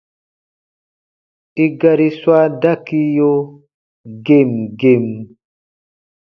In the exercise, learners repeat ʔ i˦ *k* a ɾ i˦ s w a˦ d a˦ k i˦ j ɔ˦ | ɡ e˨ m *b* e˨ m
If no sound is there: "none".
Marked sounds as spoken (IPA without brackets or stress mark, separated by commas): ɡ, ɡ